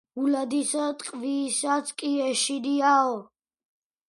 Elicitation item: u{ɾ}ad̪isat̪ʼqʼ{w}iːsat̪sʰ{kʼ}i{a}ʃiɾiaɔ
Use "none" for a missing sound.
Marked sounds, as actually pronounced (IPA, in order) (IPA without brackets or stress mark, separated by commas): l, v, kʼ, ɛ